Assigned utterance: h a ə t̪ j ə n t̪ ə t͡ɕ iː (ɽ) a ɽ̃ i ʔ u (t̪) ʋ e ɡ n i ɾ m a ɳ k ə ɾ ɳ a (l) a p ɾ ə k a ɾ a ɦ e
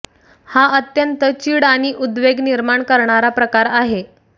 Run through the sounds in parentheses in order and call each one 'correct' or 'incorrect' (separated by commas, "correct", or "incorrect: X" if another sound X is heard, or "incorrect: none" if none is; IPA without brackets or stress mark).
correct, incorrect: d̪, incorrect: ɾ